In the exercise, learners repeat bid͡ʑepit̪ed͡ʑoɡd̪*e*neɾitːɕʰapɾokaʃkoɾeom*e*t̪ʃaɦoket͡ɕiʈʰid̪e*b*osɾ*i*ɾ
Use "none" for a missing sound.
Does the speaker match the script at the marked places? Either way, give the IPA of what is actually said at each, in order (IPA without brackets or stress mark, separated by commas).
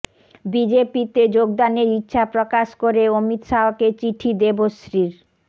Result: a, i, b, i